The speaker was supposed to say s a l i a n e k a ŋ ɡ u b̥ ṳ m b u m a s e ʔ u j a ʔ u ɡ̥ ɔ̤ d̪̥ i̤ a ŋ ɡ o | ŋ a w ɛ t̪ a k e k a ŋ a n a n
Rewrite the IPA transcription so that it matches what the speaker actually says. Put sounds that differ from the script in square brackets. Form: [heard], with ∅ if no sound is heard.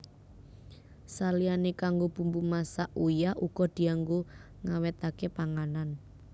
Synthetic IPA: s a l i a n e k a ŋ ɡ [o] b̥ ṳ m b u m a s [a] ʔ u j a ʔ u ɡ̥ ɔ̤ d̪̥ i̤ a ŋ ɡ o | ŋ a w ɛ t̪ a k e [p] a ŋ a n a n